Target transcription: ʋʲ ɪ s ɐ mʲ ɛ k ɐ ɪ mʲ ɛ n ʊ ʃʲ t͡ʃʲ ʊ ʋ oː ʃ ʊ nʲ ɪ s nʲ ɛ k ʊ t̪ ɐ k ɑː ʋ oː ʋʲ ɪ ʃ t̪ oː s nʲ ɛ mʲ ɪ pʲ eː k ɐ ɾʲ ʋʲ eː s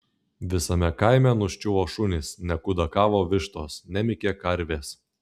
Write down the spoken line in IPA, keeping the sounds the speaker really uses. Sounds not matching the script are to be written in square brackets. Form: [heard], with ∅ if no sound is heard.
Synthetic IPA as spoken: ʋʲ ɪ s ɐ mʲ ɛ k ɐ ɪ mʲ ɛ n ʊ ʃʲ t͡ʃʲ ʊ ʋ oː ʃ ʊ nʲ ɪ s nʲ ɛ k ʊ [d̪] ɐ k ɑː ʋ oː ʋʲ ɪ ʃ t̪ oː s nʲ ɛ mʲ ɪ [kʲ] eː k ɐ ɾʲ ʋʲ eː s